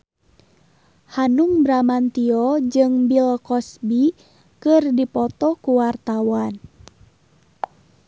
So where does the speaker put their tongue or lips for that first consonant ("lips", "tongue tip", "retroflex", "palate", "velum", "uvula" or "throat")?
throat